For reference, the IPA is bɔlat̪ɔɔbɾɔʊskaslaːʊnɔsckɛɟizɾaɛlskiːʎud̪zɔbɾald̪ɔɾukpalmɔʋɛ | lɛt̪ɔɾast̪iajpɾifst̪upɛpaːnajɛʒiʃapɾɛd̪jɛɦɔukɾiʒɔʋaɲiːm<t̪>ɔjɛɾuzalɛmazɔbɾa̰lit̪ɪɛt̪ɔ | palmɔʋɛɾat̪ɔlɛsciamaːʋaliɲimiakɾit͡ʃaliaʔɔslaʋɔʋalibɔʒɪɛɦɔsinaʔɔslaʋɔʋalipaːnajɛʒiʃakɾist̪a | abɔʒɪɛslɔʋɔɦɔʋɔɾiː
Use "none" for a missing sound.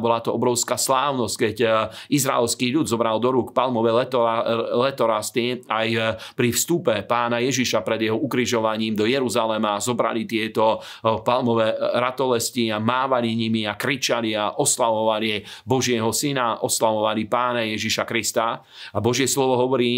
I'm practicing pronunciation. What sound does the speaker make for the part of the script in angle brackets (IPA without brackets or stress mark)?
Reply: d̪